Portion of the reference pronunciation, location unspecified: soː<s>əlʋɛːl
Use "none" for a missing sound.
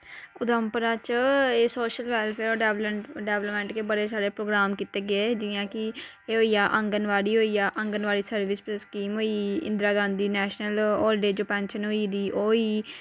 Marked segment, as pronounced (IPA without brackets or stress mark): ʃ